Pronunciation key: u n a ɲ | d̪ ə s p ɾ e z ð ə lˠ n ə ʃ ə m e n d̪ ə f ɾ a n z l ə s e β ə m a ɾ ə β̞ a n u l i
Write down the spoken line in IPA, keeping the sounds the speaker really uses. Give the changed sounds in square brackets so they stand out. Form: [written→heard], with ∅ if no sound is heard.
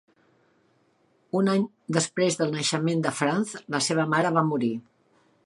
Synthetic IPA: u n a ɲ | d̪ ə s p ɾ e z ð ə lˠ n ə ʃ ə m e n d̪ ə f ɾ a n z l ə s e β ə m a ɾ ə β̞ a [n→m] u [l→ɾ] i